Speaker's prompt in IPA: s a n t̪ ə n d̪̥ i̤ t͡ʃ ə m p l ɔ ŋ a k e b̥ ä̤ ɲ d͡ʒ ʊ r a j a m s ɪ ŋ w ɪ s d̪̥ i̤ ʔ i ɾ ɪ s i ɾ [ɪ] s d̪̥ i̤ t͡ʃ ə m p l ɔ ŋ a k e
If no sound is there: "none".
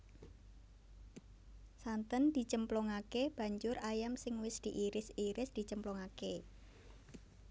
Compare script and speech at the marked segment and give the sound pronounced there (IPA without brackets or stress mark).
ɪ